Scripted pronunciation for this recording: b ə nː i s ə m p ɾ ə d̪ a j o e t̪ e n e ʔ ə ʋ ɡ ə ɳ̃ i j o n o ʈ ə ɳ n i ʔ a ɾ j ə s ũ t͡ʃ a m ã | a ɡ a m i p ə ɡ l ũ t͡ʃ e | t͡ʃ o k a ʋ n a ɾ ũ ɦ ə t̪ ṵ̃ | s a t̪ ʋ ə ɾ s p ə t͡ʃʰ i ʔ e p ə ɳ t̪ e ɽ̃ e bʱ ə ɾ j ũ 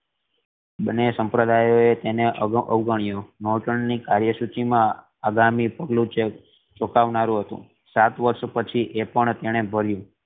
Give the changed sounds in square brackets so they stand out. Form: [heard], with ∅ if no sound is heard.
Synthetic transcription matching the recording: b ə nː [e] s ə m p ɾ ə d̪ a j o e t̪ e n e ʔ ə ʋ ɡ ə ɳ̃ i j o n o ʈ ə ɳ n i [k] a ɾ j ə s [u] t͡ʃ [i] m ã | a ɡ a m i p ə ɡ l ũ t͡ʃ e | t͡ʃ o k a ʋ n a ɾ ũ ɦ ə t̪ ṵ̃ | s a t̪ ʋ ə ɾ [ʃ] p ə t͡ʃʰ i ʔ e p ə ɳ t̪ e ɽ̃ e bʱ ə ɾ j ũ